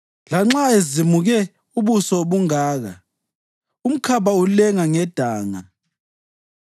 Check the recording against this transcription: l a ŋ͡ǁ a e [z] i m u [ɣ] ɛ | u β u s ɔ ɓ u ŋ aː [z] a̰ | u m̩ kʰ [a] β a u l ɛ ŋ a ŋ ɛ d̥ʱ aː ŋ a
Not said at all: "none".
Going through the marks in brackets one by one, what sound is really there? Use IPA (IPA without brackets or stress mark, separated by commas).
z, ɣ, ɣ, a